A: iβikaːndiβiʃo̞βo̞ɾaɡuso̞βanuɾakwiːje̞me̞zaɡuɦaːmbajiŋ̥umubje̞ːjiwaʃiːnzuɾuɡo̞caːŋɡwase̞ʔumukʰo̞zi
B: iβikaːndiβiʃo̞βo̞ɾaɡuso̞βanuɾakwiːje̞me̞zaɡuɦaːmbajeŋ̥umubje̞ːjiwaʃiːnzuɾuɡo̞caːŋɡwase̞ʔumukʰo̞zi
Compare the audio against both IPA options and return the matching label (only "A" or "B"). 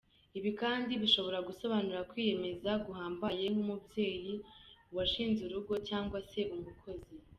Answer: B